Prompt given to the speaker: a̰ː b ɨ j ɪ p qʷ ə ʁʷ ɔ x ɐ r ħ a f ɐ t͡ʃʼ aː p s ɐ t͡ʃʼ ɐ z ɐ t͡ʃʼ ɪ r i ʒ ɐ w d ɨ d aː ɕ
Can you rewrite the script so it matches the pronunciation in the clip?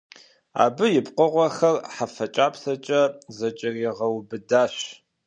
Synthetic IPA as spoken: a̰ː b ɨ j ɪ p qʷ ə ʁʷ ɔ x ɐ r ħ a f ɐ t͡ʃʼ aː p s ɐ t͡ʃʼ ɐ z ɐ t͡ʃʼ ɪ r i ʁ ɐ w b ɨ d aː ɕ